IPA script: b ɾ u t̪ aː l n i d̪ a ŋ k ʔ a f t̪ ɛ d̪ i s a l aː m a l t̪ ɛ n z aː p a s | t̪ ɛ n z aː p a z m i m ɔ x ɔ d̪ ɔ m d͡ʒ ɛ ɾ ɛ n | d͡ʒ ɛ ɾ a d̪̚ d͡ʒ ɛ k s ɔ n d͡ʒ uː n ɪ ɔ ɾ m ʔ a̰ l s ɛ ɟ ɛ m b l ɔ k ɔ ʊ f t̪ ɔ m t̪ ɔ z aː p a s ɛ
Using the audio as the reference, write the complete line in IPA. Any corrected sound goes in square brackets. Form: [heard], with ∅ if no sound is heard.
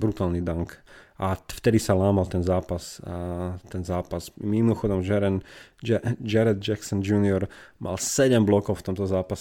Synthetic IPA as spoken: b ɾ u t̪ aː l n i d̪ a ŋ k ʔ a f t̪ ɛ d̪ i s a l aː m a l t̪ ɛ n z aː p a s | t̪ ɛ n z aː p a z m i m ɔ x ɔ d̪ ɔ m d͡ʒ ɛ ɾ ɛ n | d͡ʒ ɛ ɾ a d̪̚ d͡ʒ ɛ k s ɔ n d͡ʒ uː n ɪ ɔ ɾ m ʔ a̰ l s ɛ ɟ ɛ m b l ɔ k ɔ ʊ f t̪ ɔ m t̪ ɔ z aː p a s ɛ